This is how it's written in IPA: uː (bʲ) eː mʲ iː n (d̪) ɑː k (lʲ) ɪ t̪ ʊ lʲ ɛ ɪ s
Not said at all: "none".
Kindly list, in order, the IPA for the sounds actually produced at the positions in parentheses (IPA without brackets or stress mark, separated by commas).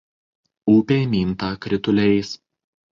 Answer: pʲ, t̪, ɾʲ